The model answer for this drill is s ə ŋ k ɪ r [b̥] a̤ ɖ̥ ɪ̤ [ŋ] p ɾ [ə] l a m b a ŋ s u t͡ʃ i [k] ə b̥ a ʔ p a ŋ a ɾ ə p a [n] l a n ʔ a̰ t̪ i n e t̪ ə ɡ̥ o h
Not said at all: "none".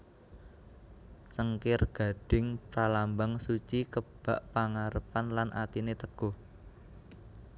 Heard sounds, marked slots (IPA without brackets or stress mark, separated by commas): ɡ̥, ŋ, a, k, n